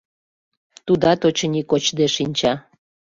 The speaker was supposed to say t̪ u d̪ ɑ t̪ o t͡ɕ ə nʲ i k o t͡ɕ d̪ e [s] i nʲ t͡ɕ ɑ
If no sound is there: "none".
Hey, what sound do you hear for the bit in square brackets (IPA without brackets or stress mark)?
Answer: ʃ